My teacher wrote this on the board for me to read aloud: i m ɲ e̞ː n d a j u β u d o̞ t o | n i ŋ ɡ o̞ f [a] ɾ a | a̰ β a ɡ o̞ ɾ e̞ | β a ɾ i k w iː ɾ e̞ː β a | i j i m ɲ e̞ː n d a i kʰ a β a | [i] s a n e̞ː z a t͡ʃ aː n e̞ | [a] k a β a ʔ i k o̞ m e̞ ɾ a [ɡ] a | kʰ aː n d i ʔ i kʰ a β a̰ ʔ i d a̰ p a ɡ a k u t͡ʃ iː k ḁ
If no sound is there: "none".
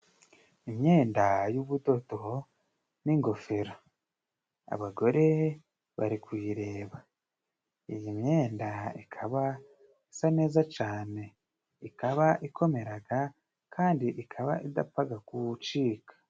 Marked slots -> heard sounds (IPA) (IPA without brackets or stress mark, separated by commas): e, i, i, ɡ